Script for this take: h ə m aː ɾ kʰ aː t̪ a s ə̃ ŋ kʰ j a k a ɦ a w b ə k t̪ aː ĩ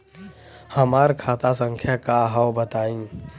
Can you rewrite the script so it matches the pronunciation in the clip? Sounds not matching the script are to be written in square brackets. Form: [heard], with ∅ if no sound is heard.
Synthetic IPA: h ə m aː ɾ kʰ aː t̪ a s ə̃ ŋ kʰ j a k a ɦ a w b ə [∅] t̪ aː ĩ